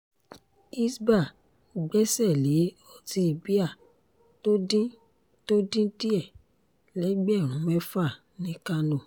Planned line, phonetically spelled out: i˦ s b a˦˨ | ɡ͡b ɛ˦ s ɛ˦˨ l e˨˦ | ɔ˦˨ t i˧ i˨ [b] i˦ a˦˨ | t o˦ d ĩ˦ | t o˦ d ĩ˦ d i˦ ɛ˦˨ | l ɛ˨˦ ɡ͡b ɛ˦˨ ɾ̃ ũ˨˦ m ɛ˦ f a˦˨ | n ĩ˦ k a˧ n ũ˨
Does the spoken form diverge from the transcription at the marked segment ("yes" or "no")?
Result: no